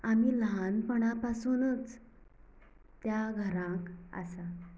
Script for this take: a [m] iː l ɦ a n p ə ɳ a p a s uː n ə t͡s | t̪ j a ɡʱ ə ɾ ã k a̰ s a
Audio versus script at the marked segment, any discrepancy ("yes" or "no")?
no